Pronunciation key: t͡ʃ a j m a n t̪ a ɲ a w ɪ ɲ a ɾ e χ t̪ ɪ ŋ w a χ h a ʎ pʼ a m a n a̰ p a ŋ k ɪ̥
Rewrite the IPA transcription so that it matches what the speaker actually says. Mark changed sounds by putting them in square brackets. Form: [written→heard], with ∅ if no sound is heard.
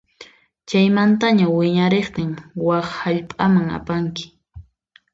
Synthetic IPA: t͡ʃ a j m a n t̪ a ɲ a w ɪ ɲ a ɾ e χ t̪ ɪ ŋ w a χ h a ʎ pʼ a m a [n→ŋ] a̰ p a ŋ k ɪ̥